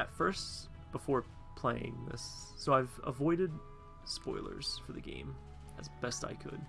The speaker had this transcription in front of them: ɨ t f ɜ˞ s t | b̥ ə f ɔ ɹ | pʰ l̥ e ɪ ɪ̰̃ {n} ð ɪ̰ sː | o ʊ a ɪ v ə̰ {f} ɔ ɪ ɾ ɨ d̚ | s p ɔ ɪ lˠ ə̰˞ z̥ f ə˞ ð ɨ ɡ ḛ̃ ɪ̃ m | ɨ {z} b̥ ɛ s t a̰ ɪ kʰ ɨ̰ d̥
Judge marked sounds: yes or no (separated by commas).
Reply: no, no, yes